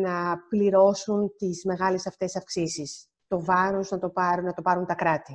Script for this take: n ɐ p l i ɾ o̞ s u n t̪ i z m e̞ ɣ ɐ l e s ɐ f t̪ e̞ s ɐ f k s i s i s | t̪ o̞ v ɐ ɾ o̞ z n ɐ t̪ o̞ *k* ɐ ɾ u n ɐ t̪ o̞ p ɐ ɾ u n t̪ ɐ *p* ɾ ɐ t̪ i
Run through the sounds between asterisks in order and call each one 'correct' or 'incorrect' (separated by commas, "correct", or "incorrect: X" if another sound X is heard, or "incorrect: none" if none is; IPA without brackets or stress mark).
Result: incorrect: p, incorrect: k